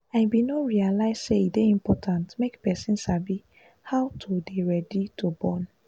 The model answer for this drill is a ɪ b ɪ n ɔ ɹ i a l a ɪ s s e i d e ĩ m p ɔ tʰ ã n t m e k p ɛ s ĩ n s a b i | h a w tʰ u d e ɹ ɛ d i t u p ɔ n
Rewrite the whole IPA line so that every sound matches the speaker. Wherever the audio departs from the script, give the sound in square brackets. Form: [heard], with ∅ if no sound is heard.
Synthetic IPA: a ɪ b [i] n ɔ ɹ i a l a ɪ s s e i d e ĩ m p ɔ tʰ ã n t m e k p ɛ s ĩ n s a b i | h a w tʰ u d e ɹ ɛ d i t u [b] ɔ n